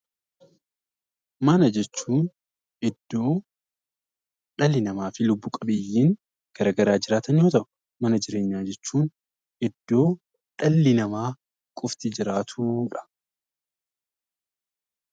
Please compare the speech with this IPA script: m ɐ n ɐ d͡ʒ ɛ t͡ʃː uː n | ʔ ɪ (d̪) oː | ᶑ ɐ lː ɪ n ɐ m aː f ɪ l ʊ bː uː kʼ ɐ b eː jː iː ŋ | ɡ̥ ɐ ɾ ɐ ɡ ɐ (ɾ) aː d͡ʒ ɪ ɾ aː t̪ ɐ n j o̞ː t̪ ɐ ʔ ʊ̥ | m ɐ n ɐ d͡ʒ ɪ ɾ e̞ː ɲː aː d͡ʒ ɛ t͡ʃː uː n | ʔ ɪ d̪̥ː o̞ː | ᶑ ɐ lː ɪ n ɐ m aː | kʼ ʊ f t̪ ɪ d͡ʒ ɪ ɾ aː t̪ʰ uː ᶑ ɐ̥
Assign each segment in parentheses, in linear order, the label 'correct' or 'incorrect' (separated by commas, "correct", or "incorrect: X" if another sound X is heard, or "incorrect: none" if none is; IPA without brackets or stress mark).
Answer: incorrect: d̪ː, correct